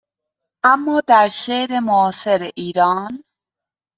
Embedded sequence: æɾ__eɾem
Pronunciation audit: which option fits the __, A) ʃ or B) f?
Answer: A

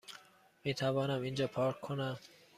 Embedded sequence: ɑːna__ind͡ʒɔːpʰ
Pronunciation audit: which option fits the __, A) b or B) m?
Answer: B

